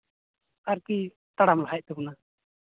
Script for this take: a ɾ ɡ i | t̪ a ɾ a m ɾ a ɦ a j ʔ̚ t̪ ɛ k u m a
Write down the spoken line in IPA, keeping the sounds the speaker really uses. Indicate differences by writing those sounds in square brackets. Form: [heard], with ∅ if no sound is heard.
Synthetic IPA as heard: a ɾ [k] i | t̪ a [ɽ] a m [l] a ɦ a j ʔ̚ t̪ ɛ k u [n] a